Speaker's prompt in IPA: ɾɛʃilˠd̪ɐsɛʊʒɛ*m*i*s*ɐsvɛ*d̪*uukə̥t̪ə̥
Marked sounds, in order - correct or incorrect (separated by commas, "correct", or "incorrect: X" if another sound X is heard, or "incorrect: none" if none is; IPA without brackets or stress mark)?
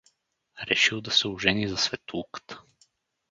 incorrect: n, incorrect: z, incorrect: t̪